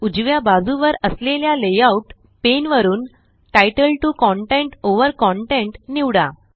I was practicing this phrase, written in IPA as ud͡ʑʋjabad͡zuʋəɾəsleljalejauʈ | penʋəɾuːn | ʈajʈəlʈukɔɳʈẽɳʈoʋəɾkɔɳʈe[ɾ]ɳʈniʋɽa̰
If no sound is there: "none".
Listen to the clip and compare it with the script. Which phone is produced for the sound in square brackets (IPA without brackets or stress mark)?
none